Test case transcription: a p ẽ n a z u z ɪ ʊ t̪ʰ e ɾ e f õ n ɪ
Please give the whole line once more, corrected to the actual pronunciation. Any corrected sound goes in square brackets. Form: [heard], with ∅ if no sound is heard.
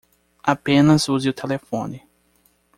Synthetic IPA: a p ẽ n [ɐ] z u z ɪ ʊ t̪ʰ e [l] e f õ n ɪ